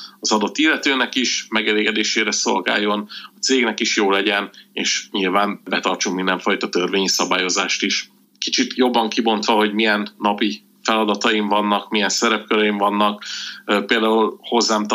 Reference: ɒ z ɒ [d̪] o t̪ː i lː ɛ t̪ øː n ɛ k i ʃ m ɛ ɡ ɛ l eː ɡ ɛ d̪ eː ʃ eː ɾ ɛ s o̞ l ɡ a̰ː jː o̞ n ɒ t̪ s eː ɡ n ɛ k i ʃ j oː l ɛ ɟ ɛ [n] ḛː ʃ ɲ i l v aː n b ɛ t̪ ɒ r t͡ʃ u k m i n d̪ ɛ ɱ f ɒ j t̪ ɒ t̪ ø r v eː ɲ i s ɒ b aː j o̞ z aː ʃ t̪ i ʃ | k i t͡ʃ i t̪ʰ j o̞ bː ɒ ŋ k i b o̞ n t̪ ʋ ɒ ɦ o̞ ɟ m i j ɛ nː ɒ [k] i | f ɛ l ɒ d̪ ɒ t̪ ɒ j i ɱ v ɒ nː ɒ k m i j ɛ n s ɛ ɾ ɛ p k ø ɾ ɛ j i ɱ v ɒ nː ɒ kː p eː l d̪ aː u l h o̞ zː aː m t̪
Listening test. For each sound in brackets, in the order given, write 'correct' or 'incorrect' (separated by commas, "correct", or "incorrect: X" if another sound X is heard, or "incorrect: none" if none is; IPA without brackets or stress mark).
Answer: correct, correct, incorrect: p